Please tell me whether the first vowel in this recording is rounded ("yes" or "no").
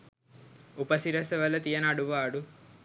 yes